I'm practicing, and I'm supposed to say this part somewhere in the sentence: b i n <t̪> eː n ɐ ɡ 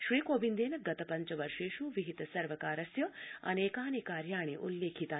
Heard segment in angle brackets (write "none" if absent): d̪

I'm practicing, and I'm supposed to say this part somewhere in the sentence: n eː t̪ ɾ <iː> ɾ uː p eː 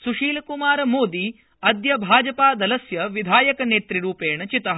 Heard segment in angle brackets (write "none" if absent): i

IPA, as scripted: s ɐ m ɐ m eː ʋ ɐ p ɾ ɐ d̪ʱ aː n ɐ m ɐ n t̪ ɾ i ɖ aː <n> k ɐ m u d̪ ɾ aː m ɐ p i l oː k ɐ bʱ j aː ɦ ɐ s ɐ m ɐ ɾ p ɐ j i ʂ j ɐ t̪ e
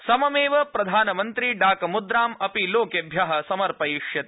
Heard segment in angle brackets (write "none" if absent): none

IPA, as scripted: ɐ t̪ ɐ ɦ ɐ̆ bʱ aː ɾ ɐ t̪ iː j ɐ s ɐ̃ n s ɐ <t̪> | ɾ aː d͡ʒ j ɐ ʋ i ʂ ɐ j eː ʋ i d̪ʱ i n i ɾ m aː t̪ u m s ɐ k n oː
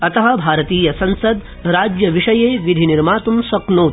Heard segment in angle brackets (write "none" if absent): d̪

